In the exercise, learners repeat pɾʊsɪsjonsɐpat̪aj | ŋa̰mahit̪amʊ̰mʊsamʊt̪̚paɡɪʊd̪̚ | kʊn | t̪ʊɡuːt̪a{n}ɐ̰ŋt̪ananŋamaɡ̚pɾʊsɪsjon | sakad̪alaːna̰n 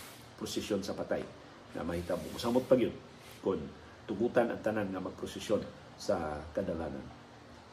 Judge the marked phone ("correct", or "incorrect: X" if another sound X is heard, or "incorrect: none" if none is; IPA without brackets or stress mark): correct